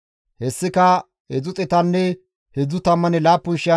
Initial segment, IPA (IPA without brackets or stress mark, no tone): h